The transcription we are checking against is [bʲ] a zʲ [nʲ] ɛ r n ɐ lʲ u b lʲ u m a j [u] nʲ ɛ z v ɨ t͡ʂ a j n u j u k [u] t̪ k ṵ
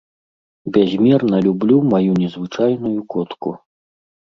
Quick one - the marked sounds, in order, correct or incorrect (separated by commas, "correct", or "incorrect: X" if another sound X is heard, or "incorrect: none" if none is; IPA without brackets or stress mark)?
correct, incorrect: mʲ, correct, incorrect: ɔ